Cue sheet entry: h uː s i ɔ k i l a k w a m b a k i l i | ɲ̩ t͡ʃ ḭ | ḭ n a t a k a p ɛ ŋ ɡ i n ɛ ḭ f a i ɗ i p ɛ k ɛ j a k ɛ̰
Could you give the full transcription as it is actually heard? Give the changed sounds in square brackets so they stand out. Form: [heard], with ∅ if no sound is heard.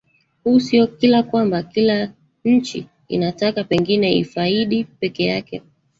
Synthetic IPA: h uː s i ɔ k i l a k w a m b a k i l [a] | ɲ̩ t͡ʃ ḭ | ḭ n a t a k a p ɛ ŋ ɡ i n ɛ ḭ f a i ɗ i p ɛ k ɛ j a k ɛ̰